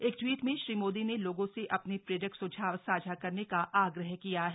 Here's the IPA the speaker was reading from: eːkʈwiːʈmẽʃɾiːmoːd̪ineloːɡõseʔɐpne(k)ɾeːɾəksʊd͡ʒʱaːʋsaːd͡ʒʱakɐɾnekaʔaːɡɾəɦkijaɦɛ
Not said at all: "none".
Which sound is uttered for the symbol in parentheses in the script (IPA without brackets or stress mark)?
p